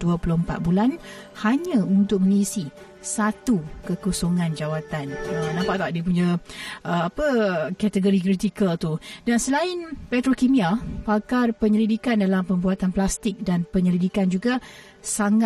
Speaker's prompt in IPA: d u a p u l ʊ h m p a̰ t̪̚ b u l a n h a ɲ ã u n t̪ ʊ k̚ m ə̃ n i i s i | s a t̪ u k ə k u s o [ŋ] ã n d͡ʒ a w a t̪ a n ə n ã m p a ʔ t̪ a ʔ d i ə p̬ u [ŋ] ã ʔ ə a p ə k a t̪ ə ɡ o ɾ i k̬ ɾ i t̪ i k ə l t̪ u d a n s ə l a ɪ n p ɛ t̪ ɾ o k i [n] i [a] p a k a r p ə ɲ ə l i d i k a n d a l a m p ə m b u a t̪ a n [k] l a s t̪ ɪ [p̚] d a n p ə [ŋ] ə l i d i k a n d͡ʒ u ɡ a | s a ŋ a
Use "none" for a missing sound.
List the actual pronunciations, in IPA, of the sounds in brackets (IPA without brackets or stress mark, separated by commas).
ŋ, ɲ, m, a, p, k̚, ɲ